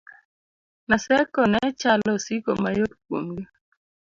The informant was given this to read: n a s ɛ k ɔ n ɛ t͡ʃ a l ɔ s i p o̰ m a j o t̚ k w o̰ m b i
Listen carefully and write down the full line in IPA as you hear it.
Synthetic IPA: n a s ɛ k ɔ n ɛ t͡ʃ a l ɔ s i k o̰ m a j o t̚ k w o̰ m ɡ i